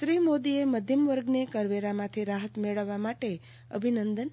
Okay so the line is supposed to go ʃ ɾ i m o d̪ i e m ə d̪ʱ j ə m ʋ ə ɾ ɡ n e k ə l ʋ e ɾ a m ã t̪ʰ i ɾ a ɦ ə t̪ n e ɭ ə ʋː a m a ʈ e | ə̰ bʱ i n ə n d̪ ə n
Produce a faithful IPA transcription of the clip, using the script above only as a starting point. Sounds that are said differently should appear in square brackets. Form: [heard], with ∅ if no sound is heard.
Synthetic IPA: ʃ ɾ i m o d̪ i e m ə d̪ʱ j ə m ʋ ə ɾ ɡ n e k ə [ɾ] ʋ e ɾ a m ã t̪ʰ i ɾ a ɦ ə t̪ [m] e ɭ ə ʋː a m a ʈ e | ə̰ bʱ i n ə n d̪ ə n